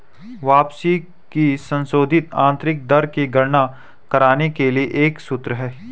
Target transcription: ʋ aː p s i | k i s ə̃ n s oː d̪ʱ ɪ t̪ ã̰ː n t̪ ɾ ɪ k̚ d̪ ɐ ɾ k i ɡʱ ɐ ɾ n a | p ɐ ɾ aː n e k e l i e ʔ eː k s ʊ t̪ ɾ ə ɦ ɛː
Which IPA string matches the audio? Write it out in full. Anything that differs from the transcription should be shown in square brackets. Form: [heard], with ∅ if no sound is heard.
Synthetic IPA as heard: ʋ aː p s i | k i s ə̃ n s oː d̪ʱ ɪ t̪ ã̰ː n t̪ ɾ ɪ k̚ d̪ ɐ ɾ k i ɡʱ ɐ ɾ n a | [k] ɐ ɾ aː n e k e l i e ʔ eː k s ʊ t̪ ɾ ə ɦ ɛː